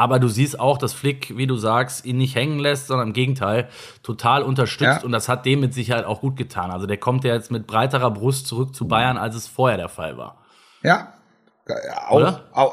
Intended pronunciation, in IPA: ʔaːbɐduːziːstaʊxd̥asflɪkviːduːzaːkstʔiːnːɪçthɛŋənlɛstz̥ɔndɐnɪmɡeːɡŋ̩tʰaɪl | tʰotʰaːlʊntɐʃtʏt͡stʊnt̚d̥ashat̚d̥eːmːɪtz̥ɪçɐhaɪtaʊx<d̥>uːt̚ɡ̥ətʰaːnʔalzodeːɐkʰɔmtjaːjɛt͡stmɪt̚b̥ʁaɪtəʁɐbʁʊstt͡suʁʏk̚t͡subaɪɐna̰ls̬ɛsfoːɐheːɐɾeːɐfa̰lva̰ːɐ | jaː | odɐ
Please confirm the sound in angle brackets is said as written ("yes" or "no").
no